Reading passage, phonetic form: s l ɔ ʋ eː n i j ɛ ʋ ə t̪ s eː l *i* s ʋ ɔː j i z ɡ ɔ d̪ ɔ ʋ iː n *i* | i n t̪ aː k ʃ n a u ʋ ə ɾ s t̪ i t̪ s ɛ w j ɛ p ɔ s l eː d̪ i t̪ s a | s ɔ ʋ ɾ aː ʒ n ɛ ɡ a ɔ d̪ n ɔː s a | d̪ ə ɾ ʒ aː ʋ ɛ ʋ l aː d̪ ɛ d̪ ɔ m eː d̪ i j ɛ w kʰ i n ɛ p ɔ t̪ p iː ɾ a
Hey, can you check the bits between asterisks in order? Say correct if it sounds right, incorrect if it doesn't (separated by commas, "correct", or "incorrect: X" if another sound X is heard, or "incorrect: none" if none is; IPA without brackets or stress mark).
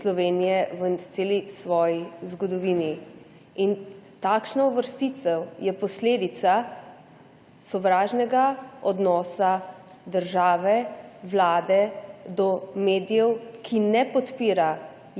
correct, correct